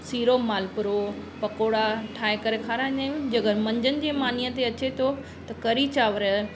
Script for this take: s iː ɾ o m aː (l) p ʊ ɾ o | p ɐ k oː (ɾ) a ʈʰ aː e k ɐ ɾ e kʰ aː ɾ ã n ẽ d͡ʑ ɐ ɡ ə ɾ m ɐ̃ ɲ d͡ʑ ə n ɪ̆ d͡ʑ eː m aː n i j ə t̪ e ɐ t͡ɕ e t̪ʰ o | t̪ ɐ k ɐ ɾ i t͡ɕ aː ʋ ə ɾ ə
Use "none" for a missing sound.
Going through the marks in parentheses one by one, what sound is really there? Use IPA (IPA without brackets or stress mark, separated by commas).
l, ɽ